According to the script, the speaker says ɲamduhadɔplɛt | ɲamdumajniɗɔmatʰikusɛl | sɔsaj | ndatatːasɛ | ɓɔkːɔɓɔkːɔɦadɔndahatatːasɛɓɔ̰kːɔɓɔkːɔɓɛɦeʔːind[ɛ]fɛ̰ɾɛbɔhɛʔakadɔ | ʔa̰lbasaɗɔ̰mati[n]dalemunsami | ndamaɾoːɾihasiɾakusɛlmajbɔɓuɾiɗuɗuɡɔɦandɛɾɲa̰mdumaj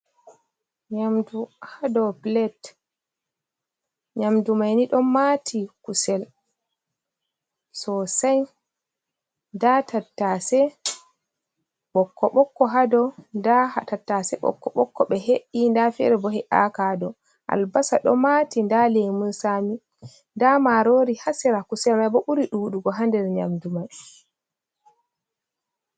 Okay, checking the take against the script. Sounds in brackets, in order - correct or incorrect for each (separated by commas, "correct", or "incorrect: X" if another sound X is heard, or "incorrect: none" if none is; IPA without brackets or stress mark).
incorrect: a, correct